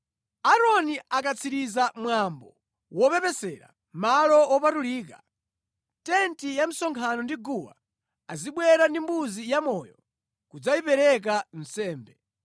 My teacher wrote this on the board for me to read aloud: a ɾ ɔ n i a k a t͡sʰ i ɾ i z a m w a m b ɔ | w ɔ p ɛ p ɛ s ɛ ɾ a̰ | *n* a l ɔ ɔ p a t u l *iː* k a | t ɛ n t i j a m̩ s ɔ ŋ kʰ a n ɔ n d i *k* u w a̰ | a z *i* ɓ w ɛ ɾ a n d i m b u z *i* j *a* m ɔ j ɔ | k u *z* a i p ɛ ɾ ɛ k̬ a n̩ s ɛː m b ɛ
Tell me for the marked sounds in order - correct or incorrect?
incorrect: m, correct, incorrect: ɡ, correct, correct, correct, incorrect: d͡z

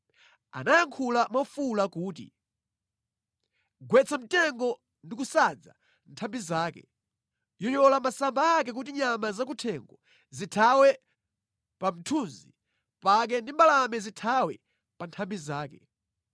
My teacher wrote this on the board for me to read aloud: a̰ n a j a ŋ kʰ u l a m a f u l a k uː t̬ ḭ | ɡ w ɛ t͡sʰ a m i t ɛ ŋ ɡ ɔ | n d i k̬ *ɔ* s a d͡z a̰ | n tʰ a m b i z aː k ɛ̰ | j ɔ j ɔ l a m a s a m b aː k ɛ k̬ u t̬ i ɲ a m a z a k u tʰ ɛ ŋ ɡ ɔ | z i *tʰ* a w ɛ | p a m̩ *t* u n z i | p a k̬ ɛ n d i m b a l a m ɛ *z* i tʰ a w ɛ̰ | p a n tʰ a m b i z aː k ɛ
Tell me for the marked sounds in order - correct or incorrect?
incorrect: u, correct, incorrect: tʰ, correct

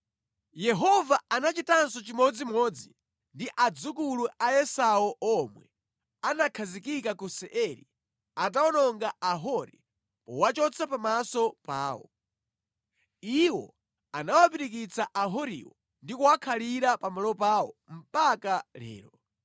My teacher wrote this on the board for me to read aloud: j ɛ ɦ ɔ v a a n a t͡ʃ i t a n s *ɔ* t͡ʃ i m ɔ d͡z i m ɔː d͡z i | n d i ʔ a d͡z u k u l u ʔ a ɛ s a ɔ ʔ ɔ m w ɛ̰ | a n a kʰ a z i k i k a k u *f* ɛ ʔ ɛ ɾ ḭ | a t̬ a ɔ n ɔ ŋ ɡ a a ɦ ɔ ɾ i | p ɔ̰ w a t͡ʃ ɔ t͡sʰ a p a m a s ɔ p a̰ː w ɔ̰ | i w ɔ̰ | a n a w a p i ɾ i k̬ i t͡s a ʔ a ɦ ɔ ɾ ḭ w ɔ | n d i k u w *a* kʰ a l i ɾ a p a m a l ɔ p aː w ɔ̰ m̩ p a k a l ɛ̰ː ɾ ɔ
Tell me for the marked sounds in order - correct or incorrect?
correct, incorrect: s, correct

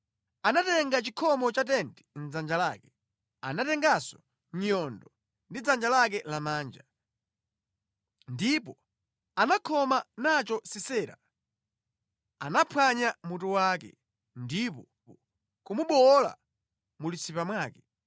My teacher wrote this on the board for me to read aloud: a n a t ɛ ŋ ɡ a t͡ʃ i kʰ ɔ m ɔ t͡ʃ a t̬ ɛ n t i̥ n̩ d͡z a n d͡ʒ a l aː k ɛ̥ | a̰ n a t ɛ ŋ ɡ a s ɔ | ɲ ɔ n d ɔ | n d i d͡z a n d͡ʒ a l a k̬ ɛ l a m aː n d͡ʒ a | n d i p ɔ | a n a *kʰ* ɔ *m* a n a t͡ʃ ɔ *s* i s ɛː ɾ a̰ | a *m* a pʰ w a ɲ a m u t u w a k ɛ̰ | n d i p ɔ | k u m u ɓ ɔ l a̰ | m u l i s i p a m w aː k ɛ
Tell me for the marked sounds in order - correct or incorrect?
correct, correct, correct, incorrect: n

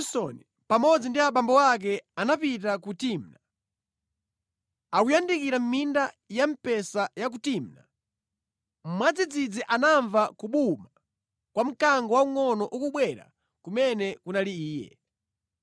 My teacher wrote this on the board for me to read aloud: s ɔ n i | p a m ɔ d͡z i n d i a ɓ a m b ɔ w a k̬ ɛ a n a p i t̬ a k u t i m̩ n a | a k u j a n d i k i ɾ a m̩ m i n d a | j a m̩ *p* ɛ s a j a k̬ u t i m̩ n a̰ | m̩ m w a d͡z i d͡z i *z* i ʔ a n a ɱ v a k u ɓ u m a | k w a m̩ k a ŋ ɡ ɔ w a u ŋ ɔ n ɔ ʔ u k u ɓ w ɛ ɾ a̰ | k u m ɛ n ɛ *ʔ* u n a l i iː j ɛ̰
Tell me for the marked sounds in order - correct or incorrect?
correct, incorrect: d͡z, incorrect: k

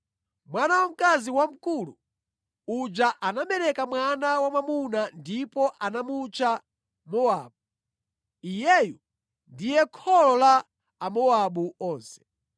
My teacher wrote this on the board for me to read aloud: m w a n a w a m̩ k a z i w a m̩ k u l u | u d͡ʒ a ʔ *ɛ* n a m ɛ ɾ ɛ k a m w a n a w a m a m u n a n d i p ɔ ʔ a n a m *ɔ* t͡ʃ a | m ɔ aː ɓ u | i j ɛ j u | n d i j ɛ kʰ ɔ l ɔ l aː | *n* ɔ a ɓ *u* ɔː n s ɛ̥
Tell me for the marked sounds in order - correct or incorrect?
incorrect: a, incorrect: u, incorrect: m, correct

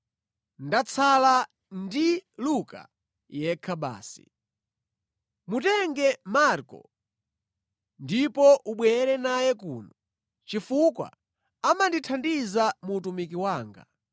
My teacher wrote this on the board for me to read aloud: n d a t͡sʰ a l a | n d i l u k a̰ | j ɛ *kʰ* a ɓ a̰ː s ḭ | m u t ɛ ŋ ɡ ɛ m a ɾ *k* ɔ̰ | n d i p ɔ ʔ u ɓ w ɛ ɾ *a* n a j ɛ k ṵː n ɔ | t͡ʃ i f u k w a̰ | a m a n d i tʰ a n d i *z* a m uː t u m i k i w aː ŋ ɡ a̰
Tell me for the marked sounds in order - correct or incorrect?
correct, correct, incorrect: ɛ, correct

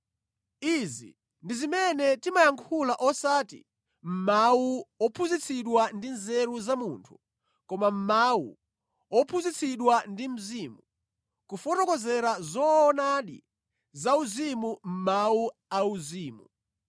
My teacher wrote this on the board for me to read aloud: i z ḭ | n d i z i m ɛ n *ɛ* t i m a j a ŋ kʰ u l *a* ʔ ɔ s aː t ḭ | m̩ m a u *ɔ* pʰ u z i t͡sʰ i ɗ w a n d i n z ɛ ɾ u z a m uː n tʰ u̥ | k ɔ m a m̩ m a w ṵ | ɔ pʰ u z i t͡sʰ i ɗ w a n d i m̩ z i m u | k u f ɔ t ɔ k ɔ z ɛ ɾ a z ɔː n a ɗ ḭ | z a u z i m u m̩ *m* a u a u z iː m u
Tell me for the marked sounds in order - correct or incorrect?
correct, correct, correct, correct

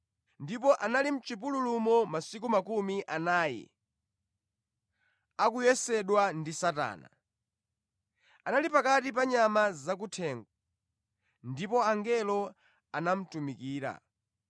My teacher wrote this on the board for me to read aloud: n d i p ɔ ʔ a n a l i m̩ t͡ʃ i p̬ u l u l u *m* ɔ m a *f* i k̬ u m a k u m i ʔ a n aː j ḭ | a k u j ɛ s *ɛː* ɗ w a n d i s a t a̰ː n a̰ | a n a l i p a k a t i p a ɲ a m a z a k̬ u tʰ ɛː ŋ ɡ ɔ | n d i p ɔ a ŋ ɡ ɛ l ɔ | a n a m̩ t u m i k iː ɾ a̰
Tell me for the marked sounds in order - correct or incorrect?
correct, incorrect: s, incorrect: ɛ

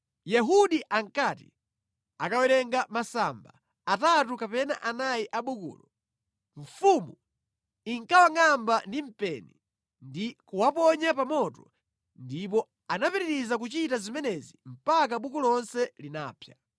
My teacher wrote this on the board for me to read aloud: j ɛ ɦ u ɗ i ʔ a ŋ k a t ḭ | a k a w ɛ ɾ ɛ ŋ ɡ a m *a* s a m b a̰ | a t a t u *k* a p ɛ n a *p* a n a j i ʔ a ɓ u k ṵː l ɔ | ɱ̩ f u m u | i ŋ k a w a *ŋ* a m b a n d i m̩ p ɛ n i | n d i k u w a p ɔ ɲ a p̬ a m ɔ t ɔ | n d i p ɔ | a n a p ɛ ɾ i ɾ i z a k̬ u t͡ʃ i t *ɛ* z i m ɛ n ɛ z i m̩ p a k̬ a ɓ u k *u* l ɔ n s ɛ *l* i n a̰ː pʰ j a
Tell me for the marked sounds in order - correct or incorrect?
correct, correct, incorrect: ʔ, correct, incorrect: a, correct, correct

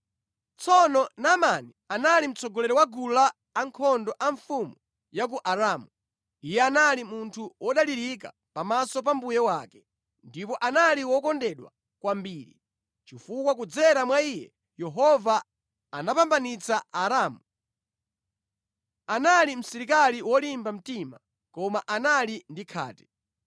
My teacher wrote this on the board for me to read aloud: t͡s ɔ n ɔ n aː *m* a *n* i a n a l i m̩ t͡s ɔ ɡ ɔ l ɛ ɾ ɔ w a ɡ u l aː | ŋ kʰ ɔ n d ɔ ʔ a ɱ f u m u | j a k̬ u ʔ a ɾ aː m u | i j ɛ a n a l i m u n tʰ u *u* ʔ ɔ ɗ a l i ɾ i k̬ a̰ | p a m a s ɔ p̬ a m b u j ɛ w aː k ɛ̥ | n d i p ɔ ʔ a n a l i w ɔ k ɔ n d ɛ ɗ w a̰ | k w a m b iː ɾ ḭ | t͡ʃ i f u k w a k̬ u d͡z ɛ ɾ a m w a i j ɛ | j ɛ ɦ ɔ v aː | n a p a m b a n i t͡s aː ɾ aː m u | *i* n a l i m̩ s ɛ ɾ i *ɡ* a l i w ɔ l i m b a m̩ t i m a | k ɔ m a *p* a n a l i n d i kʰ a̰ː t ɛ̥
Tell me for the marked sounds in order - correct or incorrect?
correct, correct, incorrect: w, incorrect: a, incorrect: k, incorrect: ʔ

